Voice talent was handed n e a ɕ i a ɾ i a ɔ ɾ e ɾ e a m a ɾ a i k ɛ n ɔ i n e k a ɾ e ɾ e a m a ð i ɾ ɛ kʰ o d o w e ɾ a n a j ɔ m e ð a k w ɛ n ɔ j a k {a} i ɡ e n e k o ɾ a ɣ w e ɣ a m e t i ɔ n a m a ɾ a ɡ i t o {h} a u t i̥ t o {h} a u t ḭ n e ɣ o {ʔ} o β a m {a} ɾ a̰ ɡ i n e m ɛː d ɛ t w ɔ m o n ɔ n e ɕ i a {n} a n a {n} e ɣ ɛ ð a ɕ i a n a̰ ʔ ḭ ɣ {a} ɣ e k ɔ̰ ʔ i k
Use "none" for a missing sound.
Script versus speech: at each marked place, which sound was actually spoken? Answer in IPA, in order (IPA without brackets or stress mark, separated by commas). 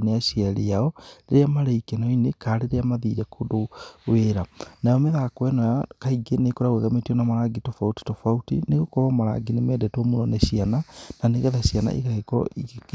a, f, f, k, a, n, n, a